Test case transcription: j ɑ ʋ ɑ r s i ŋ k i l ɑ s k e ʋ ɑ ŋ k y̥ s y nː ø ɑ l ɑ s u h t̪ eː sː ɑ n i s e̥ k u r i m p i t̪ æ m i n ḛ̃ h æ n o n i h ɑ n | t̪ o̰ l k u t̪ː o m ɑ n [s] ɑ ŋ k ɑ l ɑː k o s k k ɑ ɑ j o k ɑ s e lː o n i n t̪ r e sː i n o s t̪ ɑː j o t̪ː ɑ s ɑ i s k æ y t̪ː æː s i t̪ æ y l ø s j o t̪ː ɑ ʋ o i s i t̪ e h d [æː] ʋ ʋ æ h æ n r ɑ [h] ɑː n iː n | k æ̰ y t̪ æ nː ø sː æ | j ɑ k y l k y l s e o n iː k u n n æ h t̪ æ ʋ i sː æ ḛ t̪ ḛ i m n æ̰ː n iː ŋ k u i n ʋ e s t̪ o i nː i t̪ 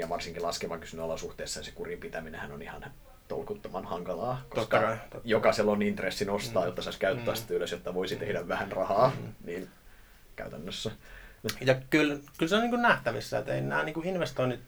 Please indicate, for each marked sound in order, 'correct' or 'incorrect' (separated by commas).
incorrect, incorrect, correct